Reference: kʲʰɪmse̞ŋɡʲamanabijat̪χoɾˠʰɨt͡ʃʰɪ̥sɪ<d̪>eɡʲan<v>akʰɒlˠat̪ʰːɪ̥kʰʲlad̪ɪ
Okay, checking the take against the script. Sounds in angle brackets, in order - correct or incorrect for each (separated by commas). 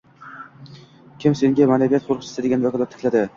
correct, correct